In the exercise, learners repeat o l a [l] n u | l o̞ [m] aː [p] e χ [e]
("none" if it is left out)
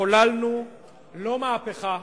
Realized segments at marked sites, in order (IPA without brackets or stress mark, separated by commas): l, m, p, a